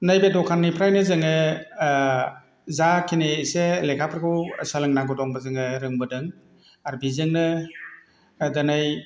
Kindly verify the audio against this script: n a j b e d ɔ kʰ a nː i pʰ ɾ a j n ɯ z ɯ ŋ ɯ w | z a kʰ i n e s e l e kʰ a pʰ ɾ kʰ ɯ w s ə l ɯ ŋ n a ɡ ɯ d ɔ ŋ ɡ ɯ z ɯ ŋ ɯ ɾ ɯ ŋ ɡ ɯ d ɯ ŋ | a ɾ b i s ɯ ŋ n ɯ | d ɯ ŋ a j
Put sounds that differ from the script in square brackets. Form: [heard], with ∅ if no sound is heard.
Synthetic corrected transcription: n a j b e d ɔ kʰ a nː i pʰ ɾ a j n ɯ z ɯ ŋ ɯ [∅] | z a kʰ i n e s e l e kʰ a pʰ ɾ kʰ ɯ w s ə l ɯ ŋ n a ɡ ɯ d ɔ ŋ [b] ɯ z ɯ ŋ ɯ ɾ ɯ ŋ [b] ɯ d ɯ ŋ | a ɾ b i [z] ɯ ŋ n ɯ | d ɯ [n] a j